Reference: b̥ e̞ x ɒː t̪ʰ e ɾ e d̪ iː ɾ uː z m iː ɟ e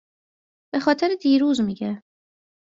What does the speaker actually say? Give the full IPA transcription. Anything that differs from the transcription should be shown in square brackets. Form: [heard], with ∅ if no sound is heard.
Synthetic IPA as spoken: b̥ e̞ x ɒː t̪ʰ e ɾ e d̪ iː ɾ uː z m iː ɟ e